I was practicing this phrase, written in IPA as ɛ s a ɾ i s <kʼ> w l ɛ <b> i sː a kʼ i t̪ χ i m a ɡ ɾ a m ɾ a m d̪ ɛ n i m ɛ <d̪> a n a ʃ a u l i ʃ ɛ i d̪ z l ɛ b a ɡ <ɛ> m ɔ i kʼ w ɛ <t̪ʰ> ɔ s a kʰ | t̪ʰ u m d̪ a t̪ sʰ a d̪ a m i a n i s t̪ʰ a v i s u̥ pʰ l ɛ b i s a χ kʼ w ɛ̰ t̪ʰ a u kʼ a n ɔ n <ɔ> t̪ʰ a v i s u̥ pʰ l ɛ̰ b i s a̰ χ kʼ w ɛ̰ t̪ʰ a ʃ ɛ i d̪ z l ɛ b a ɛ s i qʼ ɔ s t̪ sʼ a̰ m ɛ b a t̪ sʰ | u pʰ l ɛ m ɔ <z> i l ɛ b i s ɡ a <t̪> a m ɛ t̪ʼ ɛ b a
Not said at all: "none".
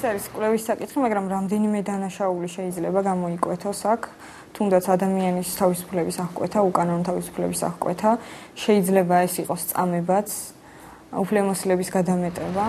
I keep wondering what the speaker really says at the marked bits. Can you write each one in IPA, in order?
kʼ, v, d̪, a, t̪ʰ, ɔ, s, d̪

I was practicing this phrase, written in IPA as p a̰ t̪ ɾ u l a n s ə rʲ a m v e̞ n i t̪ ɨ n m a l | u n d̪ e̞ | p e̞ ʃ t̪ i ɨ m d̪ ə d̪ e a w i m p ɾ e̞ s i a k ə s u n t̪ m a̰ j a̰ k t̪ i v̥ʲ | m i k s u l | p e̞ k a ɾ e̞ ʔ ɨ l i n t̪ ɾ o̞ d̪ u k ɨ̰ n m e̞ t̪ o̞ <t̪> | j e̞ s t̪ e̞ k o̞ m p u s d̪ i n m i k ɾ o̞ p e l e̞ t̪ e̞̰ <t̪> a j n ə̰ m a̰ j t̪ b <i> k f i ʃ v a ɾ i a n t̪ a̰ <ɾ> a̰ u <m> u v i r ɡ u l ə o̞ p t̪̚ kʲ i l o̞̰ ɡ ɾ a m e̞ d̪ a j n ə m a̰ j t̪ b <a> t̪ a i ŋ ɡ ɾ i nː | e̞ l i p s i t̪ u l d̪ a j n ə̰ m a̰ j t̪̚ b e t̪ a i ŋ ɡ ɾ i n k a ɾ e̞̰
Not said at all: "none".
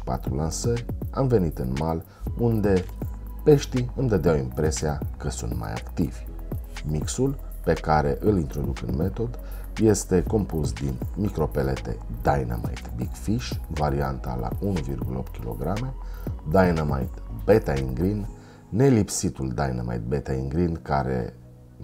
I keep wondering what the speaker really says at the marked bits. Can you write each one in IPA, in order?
d̪, d̪, i, l, n, e

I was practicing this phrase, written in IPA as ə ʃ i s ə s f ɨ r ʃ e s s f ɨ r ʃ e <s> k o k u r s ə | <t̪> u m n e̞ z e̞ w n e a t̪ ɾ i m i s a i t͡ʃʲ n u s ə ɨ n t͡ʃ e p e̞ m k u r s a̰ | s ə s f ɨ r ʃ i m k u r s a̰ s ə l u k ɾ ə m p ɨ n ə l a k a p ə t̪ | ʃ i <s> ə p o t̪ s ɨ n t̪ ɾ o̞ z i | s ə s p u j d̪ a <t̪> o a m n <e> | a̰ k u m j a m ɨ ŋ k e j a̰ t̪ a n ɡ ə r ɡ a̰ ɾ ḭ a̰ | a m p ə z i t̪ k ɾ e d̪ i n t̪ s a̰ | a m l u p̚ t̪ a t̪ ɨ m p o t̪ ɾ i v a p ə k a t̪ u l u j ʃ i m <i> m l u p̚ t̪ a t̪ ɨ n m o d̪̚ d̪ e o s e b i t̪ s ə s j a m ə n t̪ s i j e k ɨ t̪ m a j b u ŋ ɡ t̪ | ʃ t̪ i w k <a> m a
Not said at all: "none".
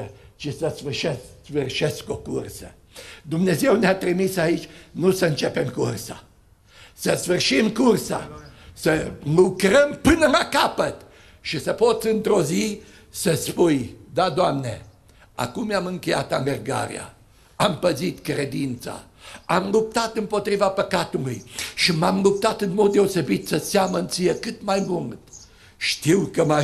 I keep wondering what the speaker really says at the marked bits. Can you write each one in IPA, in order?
s, d̪, s, d̪, e, a, ə

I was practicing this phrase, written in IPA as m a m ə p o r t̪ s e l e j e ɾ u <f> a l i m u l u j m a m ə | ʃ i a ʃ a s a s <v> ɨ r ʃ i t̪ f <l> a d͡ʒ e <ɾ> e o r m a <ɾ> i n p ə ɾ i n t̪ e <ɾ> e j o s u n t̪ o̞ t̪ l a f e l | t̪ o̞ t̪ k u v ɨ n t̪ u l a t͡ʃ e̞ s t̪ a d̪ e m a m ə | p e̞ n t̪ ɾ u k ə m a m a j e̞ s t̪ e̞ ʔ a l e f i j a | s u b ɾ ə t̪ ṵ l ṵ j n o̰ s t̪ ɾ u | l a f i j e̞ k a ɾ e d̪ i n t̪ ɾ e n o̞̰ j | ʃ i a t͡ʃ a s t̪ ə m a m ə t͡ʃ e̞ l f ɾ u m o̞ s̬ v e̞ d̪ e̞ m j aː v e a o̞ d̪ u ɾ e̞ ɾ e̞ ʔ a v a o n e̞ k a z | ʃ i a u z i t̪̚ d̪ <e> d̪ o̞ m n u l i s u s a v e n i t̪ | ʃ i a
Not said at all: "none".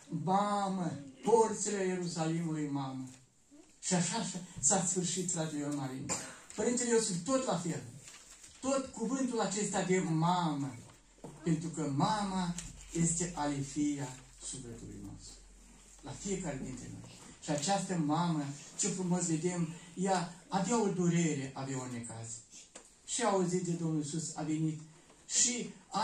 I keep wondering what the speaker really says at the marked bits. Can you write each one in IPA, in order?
s, f, ɾ, l, ɾ, l, e

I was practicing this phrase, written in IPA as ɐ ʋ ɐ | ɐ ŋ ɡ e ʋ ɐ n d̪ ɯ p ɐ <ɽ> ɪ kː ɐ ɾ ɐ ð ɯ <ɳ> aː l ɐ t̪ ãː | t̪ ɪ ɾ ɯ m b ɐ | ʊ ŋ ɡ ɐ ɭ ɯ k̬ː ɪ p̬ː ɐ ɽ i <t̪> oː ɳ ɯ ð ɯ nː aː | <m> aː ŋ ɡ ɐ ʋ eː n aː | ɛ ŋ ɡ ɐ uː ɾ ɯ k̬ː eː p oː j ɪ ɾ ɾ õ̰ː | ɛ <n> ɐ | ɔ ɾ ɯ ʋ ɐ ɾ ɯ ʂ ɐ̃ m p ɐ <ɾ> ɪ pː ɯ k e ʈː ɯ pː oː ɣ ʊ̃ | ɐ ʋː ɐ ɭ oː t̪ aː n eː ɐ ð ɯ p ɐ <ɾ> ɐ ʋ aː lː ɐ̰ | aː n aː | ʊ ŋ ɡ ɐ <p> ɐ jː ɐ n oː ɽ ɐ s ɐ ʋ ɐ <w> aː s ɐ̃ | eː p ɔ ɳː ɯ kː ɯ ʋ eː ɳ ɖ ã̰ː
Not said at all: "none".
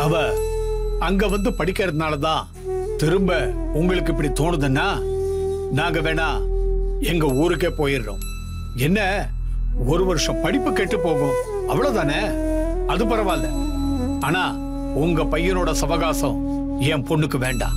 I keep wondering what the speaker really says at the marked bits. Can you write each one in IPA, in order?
ɽ, n, t̪, n, nː, ɽ, ɾ, p, ɣ

